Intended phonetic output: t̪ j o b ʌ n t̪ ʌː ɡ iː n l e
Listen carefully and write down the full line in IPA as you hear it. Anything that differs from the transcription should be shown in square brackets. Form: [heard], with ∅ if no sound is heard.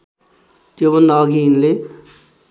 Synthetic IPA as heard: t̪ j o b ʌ n [d̪] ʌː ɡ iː n l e